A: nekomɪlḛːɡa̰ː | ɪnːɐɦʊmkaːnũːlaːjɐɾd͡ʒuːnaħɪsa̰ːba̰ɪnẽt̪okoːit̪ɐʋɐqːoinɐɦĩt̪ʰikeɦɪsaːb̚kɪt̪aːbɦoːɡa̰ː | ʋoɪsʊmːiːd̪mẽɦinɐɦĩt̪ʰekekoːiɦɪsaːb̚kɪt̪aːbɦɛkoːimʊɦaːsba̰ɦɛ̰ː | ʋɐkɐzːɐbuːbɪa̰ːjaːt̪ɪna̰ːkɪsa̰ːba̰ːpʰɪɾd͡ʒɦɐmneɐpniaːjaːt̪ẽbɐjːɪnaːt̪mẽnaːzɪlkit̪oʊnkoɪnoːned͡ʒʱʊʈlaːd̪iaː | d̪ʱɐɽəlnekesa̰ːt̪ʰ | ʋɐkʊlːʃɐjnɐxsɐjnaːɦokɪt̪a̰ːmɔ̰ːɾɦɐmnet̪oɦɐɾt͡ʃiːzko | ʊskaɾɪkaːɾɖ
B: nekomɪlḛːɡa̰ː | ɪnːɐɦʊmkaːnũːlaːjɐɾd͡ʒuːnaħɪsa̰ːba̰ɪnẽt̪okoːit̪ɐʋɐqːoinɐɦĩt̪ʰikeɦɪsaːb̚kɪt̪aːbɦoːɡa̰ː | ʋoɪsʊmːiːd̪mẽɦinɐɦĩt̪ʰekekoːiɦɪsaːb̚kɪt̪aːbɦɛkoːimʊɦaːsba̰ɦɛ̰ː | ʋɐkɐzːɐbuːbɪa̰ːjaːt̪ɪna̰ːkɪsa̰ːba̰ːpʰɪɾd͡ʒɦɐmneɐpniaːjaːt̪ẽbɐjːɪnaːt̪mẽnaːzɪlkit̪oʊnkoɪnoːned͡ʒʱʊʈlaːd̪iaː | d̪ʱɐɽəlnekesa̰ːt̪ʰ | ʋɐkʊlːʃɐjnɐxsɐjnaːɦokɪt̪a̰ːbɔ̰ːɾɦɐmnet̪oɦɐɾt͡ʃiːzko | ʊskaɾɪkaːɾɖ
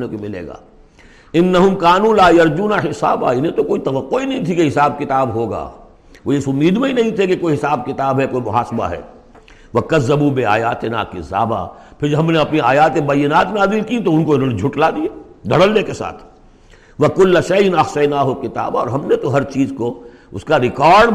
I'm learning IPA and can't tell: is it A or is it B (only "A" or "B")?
B